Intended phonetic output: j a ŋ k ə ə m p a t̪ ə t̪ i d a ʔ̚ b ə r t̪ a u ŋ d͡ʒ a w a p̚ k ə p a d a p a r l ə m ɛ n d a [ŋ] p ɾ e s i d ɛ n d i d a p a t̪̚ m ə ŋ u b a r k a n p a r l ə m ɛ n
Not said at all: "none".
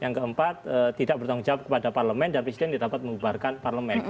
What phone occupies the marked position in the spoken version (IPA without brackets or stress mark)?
n